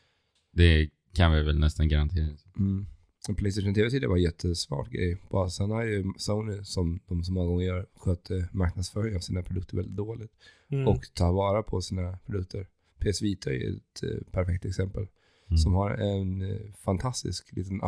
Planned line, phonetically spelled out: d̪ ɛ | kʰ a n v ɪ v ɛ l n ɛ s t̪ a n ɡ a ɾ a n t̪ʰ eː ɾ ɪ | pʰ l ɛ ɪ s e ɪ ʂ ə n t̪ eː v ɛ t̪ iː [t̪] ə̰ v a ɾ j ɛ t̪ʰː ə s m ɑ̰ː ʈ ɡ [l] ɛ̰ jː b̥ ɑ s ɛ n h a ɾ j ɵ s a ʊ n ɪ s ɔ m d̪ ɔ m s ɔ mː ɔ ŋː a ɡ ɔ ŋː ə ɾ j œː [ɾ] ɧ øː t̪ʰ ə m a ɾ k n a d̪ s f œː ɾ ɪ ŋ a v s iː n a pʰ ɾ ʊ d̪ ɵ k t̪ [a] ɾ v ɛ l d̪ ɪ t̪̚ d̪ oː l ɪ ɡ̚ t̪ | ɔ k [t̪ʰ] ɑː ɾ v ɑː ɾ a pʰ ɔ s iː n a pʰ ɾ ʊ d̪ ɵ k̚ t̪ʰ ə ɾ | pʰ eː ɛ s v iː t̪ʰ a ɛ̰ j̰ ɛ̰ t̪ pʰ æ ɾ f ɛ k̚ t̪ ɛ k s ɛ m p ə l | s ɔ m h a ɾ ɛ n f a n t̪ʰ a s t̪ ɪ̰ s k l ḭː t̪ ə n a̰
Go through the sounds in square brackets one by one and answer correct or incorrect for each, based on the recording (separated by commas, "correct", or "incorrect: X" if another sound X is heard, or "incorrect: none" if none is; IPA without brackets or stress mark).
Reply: incorrect: d̪, incorrect: ɾ, correct, incorrect: ə, correct